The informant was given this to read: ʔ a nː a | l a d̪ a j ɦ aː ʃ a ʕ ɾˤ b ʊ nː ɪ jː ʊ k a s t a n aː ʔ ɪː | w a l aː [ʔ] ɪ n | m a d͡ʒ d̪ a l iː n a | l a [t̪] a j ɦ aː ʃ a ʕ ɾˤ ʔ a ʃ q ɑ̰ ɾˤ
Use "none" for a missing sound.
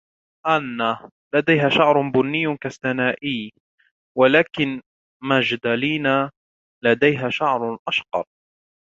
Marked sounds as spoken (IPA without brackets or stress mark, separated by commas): k, d̪